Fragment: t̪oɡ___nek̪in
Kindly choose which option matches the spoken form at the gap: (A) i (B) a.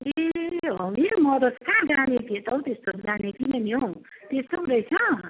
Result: B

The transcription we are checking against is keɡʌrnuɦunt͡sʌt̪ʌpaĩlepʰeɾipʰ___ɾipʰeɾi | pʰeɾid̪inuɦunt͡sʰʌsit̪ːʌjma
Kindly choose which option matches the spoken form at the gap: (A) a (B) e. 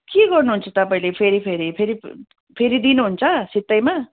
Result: B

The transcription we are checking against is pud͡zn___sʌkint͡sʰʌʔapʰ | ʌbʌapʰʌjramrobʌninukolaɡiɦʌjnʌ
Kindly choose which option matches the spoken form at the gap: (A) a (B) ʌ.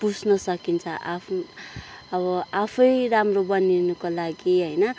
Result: B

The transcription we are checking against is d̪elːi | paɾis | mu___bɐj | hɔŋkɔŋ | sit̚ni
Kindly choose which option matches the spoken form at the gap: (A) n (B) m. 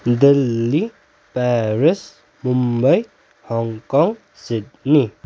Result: B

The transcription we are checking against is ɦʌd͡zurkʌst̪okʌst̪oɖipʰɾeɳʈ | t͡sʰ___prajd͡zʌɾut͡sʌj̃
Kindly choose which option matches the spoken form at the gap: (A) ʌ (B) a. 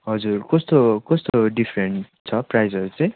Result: A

